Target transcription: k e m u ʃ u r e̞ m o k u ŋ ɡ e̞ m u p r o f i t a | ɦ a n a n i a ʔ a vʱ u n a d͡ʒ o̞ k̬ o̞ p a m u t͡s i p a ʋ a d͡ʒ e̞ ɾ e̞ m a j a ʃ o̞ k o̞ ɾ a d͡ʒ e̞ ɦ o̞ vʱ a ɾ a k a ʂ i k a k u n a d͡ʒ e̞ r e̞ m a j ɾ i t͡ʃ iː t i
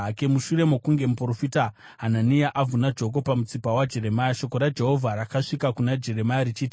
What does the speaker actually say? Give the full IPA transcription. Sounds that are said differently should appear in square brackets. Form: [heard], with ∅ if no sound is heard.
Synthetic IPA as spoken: k e m u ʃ u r e̞ m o k u ŋ ɡ e̞ m u p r o f i t a | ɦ a n a n i a ʔ a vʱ u n a d͡ʒ o̞ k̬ o̞ p a m u t͡s i p a [w] a d͡ʒ e̞ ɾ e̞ m a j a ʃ o̞ k o̞ ɾ a d͡ʒ e̞ ɦ o̞ vʱ a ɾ a k a ʂ i k a k u n a d͡ʒ e̞ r e̞ m a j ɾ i t͡ʃ iː t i